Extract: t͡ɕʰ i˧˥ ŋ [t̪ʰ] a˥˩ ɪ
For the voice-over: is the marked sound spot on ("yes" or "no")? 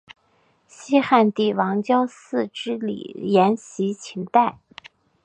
no